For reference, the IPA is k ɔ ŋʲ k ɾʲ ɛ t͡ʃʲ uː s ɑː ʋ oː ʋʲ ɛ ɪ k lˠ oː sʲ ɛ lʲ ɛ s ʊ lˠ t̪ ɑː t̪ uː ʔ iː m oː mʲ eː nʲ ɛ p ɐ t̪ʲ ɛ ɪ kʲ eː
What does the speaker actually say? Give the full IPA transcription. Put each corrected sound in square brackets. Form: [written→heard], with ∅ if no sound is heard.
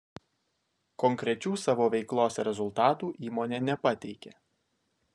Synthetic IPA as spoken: k ɔ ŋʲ k ɾʲ ɛ t͡ʃʲ uː s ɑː ʋ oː ʋʲ ɛ ɪ k lˠ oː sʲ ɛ [lʲ→ɾʲ] ɛ [s→z] ʊ lˠ t̪ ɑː t̪ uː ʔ iː m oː [mʲ→nʲ] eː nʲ ɛ p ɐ t̪ʲ ɛ ɪ kʲ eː